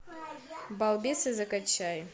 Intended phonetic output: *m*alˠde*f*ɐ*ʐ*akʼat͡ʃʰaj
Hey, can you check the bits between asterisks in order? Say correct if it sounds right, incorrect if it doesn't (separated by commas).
incorrect, incorrect, incorrect